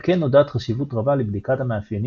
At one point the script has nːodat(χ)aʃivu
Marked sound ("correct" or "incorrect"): correct